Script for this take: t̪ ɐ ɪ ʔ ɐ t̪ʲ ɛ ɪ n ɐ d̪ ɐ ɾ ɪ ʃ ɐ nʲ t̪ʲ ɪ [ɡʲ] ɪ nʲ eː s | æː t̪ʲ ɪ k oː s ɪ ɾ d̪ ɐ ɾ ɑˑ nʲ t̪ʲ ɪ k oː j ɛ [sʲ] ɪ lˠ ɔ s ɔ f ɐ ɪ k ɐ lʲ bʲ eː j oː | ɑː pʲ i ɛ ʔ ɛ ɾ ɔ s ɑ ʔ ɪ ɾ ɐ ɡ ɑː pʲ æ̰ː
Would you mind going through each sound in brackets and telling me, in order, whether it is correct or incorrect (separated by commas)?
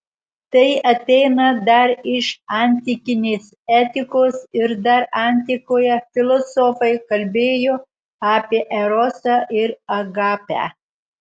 incorrect, incorrect